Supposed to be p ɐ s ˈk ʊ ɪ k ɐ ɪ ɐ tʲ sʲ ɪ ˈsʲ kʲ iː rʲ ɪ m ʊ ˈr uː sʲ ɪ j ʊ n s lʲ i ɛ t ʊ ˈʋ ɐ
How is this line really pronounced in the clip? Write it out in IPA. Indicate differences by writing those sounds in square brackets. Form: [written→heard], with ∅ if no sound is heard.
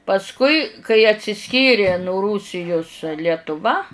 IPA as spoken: p ɐ s ˈk ʊ ɪ k ɐ ɪ ɐ tʲ sʲ ɪ ˈsʲ kʲ iː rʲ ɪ [m→n] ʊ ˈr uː sʲ ɪ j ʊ [n→∅] s lʲ i ɛ t ʊ ˈʋ ɐ